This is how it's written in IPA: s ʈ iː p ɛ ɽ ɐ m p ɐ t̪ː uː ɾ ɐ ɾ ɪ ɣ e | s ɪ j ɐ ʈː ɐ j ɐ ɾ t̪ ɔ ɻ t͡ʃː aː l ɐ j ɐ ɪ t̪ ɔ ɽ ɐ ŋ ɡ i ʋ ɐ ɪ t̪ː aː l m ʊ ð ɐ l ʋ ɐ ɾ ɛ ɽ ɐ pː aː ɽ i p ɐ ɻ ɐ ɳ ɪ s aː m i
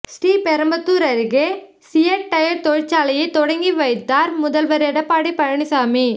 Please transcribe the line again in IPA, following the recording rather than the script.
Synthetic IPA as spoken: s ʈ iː p ɛ ɾ ɐ m b ɐ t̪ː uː ɾ ɐ ɾ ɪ ɣ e | s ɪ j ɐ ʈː ɐ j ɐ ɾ t̪ ɔ ɻ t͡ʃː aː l ɐ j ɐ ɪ t̪ ɔ ɽ ɐ ŋ ɡ i ʋ ɐ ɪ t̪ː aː ɾ m ʊ ð ɐ l ʋ ɐ ɾ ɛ ɽ ɐ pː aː ɽ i p ɐ ɻ ɐ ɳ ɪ s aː m i